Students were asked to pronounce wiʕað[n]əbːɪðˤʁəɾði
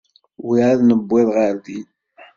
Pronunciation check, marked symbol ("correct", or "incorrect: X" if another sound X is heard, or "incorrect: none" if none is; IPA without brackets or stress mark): correct